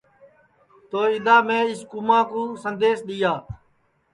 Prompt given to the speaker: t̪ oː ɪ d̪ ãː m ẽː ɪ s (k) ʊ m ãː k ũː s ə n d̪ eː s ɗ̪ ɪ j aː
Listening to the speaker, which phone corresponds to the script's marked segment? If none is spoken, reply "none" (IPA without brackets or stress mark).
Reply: k